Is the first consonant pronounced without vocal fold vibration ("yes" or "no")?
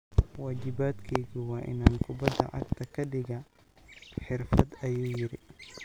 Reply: no